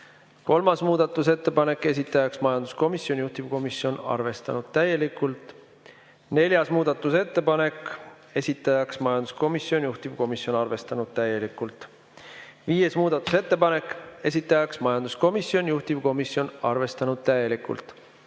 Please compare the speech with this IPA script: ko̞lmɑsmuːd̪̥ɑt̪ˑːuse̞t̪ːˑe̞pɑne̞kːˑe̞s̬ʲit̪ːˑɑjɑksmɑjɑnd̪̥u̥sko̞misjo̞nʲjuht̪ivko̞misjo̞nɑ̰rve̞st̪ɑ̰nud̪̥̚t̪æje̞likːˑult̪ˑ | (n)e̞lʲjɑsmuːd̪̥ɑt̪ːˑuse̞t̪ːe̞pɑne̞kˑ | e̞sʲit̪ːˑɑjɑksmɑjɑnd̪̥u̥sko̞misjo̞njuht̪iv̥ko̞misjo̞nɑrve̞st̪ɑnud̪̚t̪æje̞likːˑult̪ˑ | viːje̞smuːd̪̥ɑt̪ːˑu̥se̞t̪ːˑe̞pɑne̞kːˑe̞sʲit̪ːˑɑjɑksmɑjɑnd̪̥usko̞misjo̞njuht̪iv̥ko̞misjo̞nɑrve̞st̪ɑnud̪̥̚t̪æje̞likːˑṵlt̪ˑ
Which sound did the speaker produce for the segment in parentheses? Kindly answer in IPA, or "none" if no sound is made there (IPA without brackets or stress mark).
n